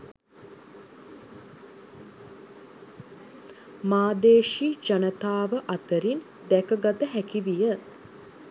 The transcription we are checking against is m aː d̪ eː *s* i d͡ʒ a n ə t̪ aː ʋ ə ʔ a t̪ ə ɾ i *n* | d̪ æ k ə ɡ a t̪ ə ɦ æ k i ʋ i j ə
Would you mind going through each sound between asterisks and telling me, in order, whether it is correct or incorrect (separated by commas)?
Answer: incorrect, correct